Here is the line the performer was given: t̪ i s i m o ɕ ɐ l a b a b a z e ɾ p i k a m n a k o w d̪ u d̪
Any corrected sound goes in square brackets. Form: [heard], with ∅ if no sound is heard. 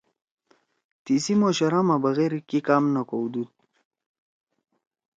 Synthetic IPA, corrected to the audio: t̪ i s i m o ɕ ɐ [ɾ] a [m] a b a [ɣ] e ɾ [k] i k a m n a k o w d̪ u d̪